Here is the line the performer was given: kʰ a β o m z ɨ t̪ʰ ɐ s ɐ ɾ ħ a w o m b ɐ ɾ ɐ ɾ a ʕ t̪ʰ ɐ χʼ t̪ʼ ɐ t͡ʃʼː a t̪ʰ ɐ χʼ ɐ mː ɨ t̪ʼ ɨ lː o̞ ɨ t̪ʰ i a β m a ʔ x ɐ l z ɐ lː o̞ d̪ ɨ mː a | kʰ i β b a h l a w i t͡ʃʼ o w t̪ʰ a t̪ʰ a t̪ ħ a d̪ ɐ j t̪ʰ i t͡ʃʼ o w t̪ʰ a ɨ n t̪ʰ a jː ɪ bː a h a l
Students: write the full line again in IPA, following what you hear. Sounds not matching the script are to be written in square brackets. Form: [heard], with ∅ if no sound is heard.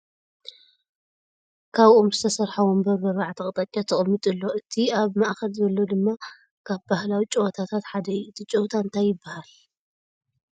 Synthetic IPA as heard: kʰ a β o m z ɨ t̪ʰ ɐ s ɐ ɾ ħ a w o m b ɐ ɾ ɐ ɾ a ʕ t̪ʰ ɐ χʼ t̪ʼ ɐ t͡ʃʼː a t̪ʰ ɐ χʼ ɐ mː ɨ t̪ʼ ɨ lː o̞ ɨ t̪ʰ i a β m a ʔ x ɐ l z ɐ lː o̞ d̪ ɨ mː a | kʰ [a] β b a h l a w i t͡ʃʼ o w t̪ʰ a t̪ʰ a t̪ ħ a d̪ ɐ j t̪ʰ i t͡ʃʼ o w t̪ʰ a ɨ n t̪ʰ a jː ɪ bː a h a l